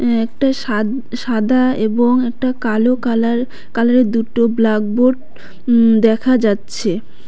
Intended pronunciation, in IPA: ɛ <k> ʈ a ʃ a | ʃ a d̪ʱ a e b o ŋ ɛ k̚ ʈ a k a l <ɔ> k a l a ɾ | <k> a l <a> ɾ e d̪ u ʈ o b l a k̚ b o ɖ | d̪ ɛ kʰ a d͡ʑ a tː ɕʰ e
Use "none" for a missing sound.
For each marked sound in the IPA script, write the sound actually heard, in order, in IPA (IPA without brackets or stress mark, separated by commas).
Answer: k, o, k, a